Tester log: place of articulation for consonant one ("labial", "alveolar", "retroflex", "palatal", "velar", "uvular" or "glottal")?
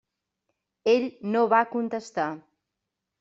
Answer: palatal